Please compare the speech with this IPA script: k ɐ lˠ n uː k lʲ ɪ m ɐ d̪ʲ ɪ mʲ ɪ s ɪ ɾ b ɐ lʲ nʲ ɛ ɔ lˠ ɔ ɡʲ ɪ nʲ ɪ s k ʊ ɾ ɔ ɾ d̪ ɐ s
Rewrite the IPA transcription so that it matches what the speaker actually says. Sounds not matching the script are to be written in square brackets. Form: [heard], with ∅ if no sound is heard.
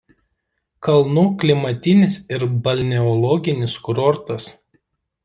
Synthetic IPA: k ɐ lˠ n uː k lʲ ɪ m ɐ [t̪ʲ] ɪ [nʲ] ɪ s ɪ ɾ b ɐ lʲ nʲ ɛ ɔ lˠ ɔ ɡʲ ɪ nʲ ɪ s k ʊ ɾ ɔ ɾ [t̪] ɐ s